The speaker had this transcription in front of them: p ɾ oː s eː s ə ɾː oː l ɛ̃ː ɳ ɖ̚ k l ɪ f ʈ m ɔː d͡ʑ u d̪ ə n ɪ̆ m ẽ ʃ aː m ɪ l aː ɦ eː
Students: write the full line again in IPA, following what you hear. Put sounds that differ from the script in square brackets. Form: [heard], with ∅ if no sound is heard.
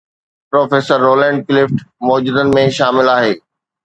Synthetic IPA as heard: p ɾ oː [f] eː s ə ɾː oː l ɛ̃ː ɳ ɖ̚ k l ɪ f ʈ m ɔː d͡ʑ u d̪ ə n ɪ̆ m ẽ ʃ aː m ɪ l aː ɦ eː